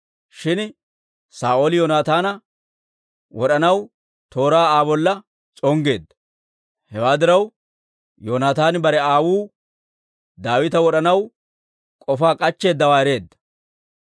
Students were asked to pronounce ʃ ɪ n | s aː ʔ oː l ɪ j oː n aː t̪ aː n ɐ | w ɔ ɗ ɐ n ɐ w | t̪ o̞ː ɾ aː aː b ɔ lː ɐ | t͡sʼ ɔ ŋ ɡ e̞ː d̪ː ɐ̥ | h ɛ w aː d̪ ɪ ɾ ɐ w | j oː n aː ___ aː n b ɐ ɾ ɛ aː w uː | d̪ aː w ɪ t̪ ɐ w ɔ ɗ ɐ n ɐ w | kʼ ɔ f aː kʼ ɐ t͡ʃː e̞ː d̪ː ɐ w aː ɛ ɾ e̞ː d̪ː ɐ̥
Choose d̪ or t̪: t̪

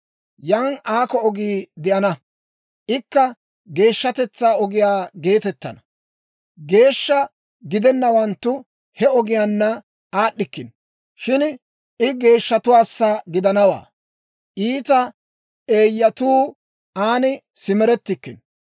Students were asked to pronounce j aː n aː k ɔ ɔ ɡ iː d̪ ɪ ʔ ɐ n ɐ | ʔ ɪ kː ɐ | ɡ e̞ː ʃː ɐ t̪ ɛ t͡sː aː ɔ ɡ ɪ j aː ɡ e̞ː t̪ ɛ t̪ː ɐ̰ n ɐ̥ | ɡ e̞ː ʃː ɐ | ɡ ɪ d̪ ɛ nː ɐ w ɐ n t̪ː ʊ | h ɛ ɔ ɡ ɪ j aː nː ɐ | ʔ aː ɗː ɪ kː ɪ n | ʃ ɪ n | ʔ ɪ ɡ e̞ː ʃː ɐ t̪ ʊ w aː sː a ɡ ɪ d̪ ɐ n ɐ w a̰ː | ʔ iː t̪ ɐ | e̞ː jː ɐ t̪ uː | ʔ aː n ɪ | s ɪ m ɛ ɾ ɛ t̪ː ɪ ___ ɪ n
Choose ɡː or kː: kː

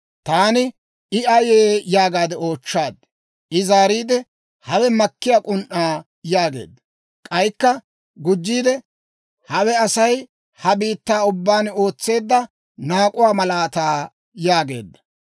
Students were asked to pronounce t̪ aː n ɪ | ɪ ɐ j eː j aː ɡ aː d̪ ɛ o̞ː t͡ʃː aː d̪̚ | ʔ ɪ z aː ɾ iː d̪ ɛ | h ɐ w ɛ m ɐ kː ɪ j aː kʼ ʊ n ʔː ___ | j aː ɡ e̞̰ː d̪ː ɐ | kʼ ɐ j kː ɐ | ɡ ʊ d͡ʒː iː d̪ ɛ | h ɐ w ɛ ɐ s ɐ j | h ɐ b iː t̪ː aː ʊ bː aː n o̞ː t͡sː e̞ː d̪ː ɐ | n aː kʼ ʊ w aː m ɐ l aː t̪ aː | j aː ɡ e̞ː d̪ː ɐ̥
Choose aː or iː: aː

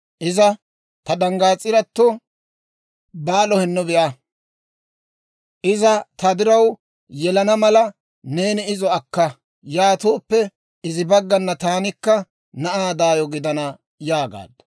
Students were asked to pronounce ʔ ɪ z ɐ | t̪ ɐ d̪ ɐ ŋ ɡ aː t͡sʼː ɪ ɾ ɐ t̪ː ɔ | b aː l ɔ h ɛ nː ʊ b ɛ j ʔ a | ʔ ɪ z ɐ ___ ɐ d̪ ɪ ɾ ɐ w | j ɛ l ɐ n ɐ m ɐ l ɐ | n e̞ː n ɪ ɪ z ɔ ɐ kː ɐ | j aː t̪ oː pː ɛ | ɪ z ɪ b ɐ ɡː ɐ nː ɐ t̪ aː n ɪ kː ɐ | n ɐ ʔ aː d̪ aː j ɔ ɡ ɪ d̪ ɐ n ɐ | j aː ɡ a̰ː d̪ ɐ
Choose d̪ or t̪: t̪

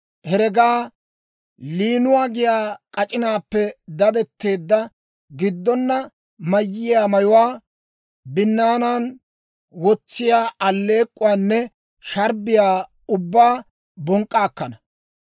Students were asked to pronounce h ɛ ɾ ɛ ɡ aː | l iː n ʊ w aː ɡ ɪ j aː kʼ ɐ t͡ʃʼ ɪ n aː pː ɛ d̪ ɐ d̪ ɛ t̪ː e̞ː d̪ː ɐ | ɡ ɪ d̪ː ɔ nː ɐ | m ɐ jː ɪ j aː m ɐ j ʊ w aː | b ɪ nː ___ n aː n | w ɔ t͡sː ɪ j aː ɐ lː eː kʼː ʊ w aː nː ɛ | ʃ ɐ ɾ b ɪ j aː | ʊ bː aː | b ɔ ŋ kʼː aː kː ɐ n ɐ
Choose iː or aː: aː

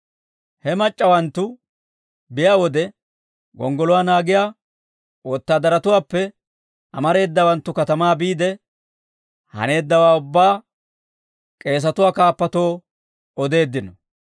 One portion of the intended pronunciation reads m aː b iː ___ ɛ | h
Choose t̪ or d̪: d̪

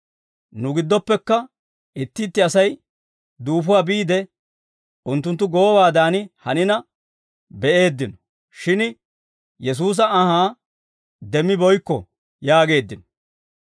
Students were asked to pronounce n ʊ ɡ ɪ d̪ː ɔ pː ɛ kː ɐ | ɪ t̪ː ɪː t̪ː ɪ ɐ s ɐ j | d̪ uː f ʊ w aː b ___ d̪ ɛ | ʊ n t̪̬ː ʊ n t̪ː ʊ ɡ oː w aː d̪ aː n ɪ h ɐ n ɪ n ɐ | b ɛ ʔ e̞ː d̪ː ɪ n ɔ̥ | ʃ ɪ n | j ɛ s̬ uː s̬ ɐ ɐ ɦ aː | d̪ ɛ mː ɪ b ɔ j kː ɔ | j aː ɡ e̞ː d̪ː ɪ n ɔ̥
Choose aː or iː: iː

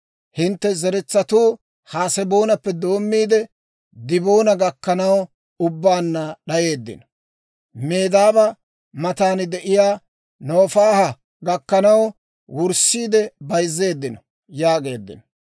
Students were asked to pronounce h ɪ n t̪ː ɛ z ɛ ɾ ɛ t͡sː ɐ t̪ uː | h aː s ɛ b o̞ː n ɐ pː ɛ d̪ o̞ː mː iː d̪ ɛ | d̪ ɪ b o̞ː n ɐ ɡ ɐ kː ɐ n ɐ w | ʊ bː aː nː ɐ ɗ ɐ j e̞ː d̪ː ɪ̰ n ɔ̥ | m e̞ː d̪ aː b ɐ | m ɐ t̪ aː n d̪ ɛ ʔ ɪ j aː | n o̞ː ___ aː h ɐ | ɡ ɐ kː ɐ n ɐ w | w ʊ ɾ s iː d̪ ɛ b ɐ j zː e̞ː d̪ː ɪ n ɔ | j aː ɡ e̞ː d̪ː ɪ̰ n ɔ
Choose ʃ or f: f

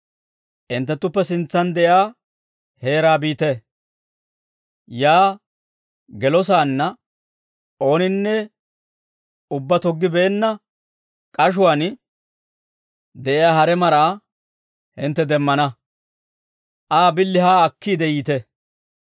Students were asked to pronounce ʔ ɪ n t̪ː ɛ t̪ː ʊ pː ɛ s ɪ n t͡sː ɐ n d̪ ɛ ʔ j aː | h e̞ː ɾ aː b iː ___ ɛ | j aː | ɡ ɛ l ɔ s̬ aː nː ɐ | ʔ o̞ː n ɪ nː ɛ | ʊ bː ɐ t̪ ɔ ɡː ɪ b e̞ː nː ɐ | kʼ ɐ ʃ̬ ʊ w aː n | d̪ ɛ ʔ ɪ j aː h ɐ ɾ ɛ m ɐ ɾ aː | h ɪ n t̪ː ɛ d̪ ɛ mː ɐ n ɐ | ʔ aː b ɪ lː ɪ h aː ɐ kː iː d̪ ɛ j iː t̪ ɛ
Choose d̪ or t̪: t̪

